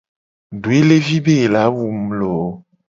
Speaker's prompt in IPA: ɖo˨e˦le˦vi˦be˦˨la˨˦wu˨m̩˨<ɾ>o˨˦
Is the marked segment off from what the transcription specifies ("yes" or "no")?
yes